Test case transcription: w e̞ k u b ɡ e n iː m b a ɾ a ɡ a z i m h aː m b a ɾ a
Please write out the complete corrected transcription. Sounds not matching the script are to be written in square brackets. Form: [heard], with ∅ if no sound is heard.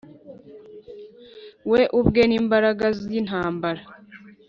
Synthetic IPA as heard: w e̞ [ʔ] u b ɡ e n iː m b a ɾ a ɡ a z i [n] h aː m b a ɾ a